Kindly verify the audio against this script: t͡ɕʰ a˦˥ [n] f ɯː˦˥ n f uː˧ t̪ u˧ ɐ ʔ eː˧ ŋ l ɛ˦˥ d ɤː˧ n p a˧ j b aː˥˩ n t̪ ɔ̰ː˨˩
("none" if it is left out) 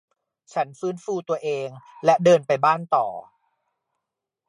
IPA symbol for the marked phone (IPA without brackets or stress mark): n